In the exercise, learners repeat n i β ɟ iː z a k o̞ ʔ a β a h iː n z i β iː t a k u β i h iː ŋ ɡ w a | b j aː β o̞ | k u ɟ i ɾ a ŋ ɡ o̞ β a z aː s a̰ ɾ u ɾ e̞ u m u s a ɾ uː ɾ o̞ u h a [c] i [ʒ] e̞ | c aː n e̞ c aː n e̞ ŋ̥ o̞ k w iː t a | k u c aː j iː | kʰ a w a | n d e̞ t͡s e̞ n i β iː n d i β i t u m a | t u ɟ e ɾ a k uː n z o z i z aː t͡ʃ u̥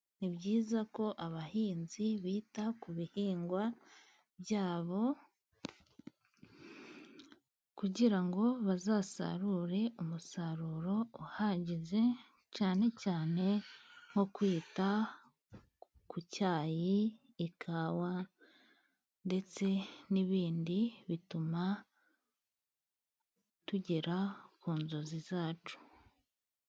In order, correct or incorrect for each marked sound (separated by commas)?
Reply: incorrect, incorrect